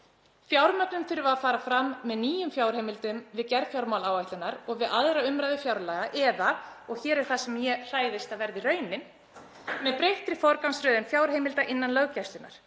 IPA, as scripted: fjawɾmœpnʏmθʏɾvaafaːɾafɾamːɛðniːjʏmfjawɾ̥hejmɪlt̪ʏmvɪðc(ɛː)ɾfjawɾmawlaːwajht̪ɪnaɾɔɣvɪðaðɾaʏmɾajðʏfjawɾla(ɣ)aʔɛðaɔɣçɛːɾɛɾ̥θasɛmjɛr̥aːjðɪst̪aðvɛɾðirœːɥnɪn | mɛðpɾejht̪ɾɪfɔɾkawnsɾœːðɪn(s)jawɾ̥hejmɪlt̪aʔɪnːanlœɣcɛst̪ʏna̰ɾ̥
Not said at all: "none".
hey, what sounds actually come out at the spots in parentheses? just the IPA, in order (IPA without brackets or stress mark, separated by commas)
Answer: ɛ, ɣ, f